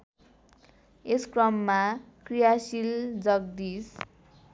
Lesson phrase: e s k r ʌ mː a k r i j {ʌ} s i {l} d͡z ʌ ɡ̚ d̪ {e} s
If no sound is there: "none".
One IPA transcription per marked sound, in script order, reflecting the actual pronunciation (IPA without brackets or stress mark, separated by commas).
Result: a, l, i